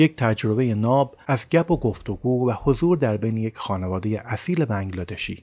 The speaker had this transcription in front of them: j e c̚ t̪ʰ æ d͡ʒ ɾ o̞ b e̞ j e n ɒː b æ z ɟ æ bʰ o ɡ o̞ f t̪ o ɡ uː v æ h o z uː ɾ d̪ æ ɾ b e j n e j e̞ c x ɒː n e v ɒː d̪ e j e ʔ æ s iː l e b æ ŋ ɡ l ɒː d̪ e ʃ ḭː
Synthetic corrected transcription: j e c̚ t̪ʰ æ d͡ʒ ɾ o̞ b e̞ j e n ɒː b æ z ɟ æ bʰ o ɡ o̞ f t̪ o ɡ uː v æ h o z uː ɾ d̪ æ ɾ b e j n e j e̞ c x ɒː n e v ɒː d̪ e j e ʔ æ s iː l e b æ ŋ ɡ l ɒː d̪ e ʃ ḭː